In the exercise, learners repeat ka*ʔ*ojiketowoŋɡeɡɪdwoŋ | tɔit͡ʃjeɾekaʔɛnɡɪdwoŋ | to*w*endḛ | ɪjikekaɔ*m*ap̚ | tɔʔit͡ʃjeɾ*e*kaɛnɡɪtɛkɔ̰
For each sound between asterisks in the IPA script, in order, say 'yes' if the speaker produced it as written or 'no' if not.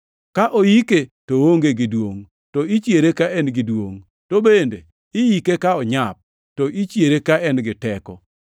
yes, no, no, yes

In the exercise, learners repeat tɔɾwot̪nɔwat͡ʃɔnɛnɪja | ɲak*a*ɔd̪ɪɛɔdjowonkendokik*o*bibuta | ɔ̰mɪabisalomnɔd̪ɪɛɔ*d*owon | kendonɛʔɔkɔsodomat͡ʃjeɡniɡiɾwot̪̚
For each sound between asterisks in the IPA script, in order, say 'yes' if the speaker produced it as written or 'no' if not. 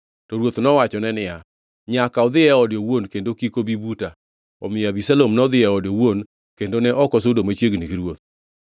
yes, yes, yes

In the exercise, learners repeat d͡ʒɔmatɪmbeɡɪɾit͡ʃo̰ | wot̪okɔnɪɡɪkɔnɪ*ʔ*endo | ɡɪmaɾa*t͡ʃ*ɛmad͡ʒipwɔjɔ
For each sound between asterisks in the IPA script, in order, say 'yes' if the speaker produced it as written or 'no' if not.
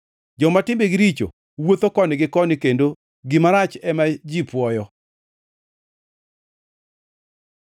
no, yes

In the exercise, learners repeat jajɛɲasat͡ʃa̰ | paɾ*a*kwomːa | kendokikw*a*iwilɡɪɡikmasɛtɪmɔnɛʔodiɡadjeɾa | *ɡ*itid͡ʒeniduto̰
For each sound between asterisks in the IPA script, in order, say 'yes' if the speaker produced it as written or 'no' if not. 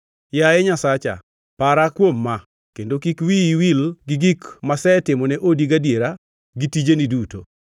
yes, no, yes

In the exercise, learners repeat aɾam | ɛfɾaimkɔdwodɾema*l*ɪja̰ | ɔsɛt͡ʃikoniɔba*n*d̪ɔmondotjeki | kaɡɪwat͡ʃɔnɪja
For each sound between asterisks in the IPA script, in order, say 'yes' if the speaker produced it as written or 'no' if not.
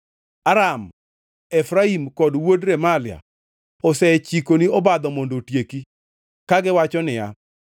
yes, no

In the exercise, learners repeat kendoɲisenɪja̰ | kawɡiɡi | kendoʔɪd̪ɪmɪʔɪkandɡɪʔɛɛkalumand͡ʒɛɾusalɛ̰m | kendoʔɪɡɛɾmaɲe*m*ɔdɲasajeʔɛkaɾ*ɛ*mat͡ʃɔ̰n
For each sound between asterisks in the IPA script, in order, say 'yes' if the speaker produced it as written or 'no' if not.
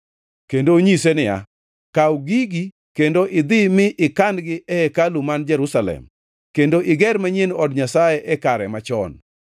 no, yes

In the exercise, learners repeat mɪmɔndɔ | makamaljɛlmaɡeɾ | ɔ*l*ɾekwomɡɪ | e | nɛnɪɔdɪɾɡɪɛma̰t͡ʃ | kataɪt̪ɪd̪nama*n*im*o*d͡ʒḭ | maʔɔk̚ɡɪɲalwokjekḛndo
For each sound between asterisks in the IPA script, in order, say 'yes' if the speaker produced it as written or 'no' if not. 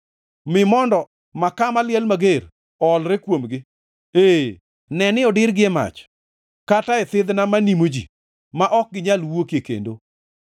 yes, yes, yes

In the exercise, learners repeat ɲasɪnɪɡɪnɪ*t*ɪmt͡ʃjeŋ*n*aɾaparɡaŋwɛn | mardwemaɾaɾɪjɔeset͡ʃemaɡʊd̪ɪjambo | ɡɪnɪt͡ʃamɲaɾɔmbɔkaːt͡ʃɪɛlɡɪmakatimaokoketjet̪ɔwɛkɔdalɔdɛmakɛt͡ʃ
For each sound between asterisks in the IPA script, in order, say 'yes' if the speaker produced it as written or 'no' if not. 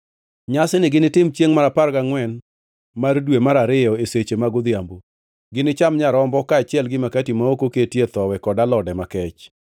yes, no

